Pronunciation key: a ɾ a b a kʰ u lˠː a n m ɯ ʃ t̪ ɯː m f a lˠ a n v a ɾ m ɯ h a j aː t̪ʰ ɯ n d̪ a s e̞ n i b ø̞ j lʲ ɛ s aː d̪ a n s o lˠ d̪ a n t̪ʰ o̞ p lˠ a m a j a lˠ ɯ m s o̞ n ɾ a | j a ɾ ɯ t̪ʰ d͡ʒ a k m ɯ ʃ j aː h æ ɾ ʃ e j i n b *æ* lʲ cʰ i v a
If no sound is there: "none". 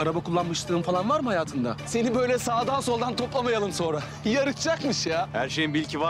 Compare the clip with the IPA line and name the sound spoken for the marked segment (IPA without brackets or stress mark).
i